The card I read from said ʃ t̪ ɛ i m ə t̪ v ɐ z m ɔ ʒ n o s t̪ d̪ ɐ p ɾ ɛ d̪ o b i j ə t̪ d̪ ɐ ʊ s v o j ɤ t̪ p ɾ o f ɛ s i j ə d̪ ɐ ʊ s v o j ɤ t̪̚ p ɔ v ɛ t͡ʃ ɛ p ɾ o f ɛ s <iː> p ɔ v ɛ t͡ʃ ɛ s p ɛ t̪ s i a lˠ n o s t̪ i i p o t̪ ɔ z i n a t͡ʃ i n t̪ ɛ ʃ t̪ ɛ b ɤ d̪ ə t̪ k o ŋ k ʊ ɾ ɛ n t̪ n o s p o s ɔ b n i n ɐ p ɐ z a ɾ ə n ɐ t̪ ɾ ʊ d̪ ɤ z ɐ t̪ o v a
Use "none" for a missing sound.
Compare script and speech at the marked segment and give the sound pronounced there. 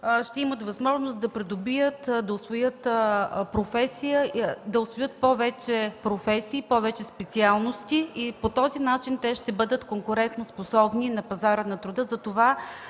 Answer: iː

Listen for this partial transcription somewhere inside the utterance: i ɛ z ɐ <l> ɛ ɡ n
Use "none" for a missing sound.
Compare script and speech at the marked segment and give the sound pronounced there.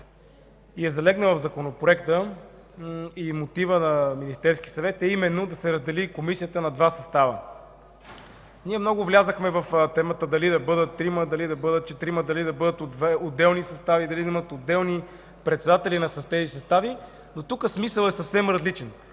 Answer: l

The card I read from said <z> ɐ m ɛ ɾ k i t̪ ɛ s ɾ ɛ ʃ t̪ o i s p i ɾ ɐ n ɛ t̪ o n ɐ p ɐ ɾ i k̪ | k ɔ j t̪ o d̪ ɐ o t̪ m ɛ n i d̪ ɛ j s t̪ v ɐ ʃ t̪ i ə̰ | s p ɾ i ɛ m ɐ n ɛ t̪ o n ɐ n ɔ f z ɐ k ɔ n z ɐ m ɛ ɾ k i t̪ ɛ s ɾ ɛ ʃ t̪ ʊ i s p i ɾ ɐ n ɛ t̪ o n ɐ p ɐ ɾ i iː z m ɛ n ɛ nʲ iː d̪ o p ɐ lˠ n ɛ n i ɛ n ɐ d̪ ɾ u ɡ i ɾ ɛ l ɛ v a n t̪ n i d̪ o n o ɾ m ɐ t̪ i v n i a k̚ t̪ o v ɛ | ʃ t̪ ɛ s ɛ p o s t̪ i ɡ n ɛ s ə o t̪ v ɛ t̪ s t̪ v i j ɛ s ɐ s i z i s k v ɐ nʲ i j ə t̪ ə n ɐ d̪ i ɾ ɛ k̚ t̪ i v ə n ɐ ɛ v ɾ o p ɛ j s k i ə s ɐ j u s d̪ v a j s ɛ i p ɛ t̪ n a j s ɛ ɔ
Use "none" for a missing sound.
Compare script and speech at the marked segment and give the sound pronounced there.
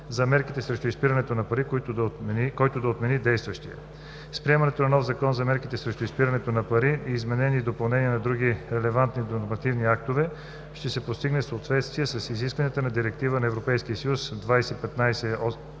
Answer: z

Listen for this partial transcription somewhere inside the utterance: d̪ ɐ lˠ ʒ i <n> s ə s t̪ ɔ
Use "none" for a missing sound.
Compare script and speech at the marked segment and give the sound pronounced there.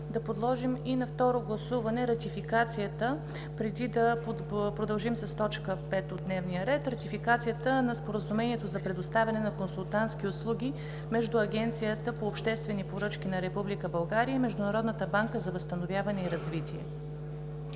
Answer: m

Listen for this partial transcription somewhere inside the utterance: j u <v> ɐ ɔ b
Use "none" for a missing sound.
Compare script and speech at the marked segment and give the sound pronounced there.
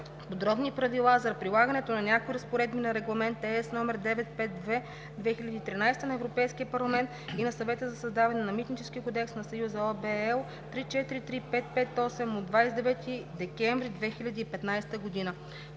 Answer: z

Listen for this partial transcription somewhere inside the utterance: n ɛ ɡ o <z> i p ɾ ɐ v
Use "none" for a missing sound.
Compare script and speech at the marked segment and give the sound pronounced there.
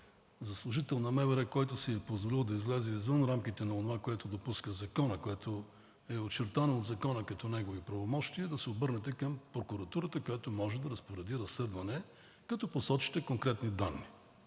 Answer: v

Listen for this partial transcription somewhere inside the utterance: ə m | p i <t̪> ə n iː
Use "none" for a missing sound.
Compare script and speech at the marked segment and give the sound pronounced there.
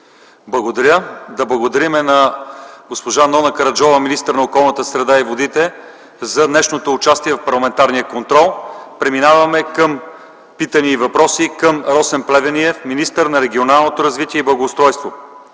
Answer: t̪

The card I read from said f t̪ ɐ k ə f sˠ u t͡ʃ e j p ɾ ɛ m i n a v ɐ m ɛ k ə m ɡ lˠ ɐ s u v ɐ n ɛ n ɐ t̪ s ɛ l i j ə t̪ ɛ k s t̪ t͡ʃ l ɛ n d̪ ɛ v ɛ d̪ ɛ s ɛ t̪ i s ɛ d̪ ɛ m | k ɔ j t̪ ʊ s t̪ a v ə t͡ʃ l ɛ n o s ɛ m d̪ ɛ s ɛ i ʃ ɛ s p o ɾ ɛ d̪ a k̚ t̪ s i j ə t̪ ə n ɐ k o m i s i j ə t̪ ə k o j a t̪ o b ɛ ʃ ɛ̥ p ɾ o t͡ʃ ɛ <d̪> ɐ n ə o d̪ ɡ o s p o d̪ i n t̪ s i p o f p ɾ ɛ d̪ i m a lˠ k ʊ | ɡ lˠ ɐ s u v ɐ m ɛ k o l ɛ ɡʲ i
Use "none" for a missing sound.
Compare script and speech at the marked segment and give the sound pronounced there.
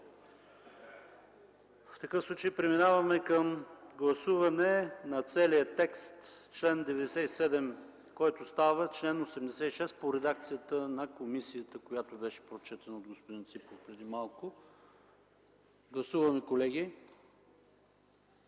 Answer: t̪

